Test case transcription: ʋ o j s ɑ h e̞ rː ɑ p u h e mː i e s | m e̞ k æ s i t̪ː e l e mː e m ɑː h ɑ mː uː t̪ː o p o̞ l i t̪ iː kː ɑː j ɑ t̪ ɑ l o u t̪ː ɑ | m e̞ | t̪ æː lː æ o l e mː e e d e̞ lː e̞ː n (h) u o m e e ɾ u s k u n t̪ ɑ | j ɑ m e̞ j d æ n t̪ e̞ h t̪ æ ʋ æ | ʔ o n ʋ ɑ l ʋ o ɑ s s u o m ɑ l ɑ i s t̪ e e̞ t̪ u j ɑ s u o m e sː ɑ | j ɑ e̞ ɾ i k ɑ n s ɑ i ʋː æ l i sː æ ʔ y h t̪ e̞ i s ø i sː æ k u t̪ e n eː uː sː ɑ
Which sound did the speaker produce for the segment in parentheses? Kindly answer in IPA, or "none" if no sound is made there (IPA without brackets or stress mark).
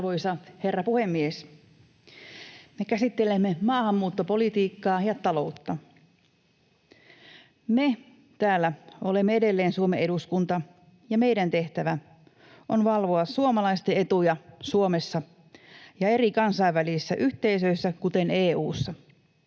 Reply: s